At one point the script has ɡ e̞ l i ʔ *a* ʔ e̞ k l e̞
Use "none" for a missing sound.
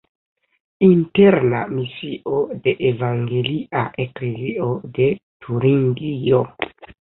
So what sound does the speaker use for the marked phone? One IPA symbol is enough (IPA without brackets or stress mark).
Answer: a